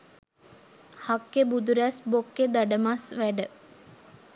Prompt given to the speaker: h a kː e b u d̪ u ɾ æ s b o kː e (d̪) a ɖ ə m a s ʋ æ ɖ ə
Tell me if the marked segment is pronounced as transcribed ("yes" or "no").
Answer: yes